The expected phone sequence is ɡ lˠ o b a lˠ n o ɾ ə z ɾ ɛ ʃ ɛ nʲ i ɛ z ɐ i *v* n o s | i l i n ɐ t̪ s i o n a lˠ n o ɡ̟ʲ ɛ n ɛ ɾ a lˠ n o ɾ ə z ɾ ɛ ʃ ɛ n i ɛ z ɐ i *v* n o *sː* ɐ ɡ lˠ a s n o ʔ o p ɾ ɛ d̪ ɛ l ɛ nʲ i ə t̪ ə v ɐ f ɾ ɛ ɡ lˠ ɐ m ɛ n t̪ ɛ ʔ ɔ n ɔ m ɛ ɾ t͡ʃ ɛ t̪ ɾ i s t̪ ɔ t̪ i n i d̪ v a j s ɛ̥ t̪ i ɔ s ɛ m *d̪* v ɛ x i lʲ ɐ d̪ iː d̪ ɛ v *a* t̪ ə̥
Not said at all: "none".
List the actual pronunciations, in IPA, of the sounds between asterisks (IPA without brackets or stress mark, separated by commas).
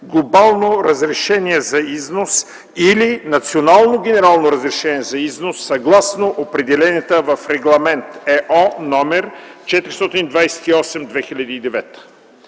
z, z, sː, d̪, ɛ